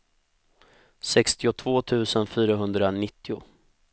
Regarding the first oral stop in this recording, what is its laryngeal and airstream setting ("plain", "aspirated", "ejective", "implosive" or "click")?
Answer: plain